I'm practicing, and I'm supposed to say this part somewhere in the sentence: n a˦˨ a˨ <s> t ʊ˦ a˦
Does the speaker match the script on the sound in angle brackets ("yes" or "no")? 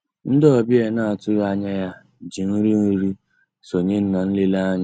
no